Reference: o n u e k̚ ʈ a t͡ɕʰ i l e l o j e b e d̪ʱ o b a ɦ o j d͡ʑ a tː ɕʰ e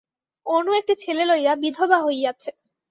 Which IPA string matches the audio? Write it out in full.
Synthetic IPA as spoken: o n u e k̚ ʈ i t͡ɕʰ e l e l o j a b i d̪ʱ o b a ɦ o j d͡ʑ a tː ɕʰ e